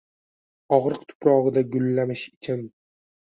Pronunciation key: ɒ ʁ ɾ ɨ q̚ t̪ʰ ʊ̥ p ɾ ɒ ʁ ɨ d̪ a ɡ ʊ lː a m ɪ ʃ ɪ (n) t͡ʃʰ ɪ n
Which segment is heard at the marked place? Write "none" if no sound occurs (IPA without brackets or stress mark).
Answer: none